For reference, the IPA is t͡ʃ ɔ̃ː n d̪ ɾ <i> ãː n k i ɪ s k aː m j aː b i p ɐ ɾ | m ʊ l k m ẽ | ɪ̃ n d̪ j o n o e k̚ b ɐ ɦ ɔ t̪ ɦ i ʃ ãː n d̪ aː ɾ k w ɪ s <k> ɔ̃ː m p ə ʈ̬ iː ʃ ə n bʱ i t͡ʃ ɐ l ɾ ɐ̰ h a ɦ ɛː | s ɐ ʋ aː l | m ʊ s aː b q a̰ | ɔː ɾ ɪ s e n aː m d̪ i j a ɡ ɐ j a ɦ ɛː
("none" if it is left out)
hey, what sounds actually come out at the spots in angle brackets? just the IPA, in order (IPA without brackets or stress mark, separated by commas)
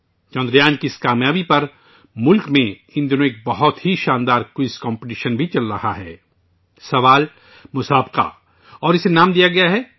j, k